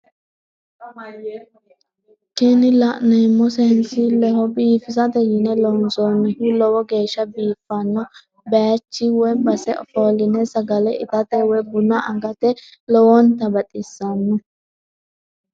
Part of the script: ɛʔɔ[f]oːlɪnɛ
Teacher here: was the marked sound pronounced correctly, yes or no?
yes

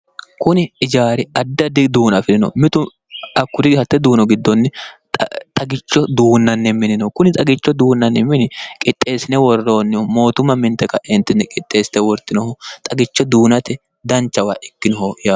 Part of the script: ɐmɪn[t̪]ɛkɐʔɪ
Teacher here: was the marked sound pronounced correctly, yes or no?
yes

